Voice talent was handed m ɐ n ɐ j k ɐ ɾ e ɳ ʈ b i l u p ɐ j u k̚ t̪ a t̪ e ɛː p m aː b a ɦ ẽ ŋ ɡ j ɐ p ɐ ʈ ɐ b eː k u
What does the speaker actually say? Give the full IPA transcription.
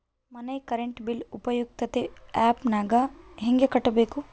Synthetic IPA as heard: m ɐ n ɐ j k ɐ ɾ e ɳ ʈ b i l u p ɐ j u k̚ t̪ ɐ t̪ e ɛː p n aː ɡ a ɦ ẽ ŋ ɡ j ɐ k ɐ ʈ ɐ b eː k u